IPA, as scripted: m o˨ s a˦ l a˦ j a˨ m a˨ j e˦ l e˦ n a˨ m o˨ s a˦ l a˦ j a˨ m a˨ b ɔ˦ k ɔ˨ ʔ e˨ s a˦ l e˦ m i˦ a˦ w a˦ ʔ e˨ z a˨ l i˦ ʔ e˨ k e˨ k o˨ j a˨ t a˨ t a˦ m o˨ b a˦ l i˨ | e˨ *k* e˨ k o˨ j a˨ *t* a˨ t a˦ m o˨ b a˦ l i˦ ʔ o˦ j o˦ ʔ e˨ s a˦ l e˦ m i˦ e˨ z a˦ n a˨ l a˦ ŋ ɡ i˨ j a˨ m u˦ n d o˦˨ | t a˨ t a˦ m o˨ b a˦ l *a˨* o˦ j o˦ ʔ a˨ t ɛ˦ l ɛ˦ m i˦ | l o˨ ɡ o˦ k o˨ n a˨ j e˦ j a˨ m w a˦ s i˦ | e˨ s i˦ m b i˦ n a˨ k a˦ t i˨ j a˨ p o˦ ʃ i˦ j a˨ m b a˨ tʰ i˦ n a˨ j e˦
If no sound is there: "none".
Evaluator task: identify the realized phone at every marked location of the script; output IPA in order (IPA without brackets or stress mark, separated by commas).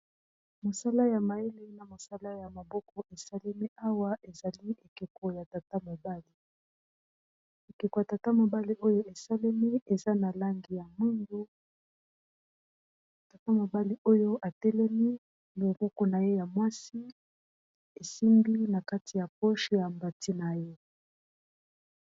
k, t, i˨